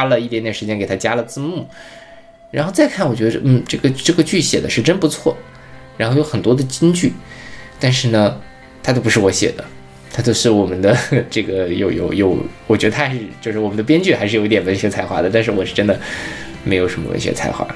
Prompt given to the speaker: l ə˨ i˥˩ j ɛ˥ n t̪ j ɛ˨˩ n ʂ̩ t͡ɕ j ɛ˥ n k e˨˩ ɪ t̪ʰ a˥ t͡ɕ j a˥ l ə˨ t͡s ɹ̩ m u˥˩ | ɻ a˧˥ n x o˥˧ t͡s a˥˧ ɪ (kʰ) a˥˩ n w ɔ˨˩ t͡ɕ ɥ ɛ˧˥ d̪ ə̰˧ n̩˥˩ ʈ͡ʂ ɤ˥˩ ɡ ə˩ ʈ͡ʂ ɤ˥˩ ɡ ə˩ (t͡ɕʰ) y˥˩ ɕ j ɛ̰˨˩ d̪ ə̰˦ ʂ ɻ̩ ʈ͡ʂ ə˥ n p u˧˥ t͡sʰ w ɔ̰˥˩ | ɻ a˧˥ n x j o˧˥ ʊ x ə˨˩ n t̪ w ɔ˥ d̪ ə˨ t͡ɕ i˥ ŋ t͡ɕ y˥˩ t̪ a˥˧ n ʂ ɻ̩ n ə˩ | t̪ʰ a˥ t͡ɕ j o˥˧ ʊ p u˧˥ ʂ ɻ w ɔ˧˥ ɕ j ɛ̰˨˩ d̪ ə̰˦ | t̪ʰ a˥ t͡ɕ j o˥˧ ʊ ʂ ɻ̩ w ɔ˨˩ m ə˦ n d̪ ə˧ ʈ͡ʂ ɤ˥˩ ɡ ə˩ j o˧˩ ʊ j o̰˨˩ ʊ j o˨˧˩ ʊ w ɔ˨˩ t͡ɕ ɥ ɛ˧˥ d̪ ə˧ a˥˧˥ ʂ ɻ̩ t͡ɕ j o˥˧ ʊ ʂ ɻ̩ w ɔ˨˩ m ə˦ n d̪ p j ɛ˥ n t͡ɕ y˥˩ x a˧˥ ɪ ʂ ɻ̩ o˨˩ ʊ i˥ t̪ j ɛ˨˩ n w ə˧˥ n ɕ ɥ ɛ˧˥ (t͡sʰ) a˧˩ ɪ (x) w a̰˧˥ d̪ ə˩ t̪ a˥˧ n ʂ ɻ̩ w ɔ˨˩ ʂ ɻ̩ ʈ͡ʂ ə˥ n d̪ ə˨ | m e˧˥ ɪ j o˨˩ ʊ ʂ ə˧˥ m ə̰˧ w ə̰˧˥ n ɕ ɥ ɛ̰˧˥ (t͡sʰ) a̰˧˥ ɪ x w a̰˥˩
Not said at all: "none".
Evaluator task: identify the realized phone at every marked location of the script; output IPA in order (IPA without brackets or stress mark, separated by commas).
kʰ, t͡ɕ, t͡sʰ, x, t͡sʰ